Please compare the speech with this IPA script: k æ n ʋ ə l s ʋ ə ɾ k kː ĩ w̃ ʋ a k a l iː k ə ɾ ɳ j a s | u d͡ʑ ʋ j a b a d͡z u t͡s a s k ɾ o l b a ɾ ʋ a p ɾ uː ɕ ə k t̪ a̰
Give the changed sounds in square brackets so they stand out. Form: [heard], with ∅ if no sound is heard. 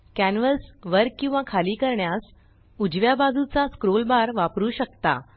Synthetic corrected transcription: k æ n ʋ ə l s ʋ ə ɾ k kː ĩ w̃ ʋ a [kʰ] a l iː k ə ɾ ɳ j a s | u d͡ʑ ʋ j a b a d͡z u t͡s a s k ɾ o l b a ɾ ʋ a p ɾ uː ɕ ə k t̪ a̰